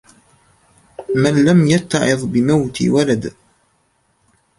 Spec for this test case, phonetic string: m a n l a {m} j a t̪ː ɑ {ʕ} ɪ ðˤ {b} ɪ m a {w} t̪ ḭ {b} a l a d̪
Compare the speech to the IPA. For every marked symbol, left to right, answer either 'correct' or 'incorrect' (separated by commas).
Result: correct, correct, correct, correct, incorrect